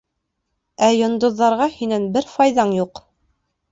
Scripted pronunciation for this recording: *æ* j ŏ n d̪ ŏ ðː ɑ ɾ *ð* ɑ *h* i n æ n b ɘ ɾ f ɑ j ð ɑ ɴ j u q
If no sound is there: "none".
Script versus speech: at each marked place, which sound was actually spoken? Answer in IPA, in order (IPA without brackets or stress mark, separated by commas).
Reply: æ, ʁ, h